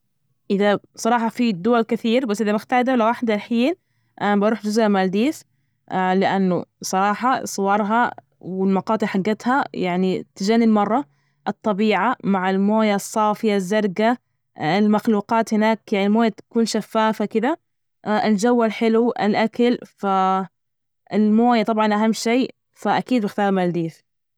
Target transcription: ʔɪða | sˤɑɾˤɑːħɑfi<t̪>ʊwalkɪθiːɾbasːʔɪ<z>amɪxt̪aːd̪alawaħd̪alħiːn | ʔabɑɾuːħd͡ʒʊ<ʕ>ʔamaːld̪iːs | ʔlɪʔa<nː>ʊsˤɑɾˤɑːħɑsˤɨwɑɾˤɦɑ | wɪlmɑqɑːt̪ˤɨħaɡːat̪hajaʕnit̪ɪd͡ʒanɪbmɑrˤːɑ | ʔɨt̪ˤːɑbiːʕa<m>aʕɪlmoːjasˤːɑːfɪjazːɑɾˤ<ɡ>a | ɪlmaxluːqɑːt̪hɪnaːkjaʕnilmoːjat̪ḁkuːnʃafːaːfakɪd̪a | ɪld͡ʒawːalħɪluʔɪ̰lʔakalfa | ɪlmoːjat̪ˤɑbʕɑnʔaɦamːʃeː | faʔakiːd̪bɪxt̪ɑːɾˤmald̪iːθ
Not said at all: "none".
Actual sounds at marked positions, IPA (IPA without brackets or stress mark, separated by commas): d̪, ð, z, nː, m, ɡ